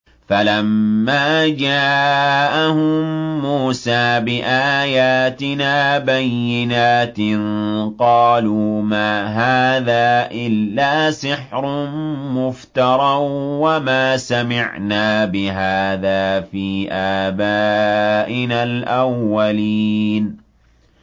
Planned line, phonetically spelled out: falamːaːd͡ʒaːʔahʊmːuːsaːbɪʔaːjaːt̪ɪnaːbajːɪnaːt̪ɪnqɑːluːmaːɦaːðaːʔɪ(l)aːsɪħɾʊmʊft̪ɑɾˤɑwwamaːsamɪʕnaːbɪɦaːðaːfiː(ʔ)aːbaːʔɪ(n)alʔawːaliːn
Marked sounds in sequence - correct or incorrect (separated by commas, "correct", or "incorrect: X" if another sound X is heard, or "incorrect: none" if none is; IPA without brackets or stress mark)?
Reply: incorrect: lː, correct, correct